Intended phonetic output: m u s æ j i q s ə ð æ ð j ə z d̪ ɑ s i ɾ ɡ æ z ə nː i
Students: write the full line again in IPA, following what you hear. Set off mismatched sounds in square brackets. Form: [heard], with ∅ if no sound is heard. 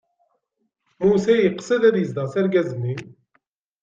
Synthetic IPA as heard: m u s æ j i q s ə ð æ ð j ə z d̪ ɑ s [æ] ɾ ɡ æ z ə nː i